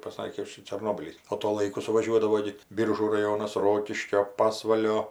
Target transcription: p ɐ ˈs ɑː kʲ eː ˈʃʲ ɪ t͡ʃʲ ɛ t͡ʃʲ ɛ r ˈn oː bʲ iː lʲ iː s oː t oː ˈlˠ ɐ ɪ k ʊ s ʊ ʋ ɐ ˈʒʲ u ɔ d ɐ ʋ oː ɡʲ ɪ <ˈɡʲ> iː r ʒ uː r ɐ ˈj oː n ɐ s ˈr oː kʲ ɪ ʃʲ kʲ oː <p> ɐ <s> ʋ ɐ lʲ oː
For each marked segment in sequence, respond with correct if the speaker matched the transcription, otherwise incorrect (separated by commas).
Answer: incorrect, correct, correct